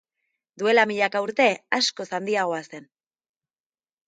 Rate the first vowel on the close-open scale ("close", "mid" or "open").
close